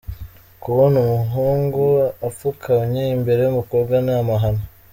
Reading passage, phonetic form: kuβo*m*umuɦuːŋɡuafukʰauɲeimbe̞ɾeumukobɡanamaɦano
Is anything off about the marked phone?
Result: yes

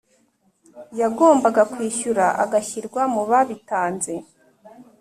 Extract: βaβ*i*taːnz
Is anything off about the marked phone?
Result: no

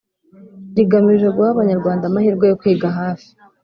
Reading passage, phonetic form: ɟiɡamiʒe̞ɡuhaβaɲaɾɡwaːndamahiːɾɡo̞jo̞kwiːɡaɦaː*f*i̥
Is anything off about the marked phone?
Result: no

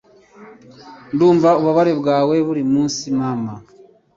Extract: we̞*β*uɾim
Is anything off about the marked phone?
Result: no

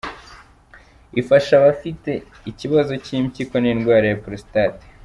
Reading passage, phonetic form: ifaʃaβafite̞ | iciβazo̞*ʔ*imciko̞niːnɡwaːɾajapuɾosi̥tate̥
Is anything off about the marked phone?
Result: yes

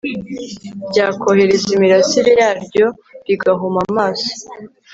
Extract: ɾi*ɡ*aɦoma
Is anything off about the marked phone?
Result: no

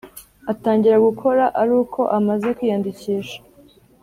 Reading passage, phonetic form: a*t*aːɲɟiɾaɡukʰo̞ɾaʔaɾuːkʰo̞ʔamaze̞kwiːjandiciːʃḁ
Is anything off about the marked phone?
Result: no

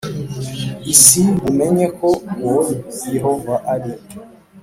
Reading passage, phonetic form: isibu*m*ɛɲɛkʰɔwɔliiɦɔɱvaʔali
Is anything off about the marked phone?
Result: no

